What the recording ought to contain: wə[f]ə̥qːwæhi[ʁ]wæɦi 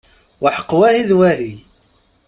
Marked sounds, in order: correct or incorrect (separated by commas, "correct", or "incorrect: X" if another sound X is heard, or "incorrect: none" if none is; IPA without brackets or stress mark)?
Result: incorrect: ħ, incorrect: ð